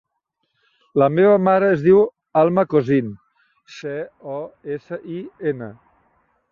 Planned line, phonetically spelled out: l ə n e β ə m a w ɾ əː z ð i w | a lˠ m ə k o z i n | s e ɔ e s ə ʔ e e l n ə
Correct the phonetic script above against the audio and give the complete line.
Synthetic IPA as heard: l ə m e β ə m a ɾ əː z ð i w | a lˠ m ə k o z i n | s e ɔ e s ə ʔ i e n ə